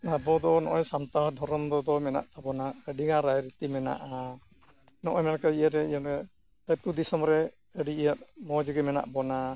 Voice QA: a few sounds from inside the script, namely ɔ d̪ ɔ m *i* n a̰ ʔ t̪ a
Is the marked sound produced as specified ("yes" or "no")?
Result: no